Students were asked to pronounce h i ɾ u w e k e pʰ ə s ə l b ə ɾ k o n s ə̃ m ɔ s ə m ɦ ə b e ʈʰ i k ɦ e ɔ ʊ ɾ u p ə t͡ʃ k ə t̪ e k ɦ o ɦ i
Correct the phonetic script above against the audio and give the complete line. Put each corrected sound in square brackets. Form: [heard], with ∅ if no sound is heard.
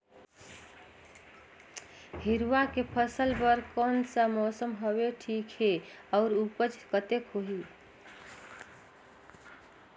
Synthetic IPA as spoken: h i ɾ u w [a] k e pʰ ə s ə l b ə ɾ k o n s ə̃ m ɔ s ə m ɦ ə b e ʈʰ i k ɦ e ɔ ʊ ɾ u p ə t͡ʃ k ə t̪ e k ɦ o ɦ i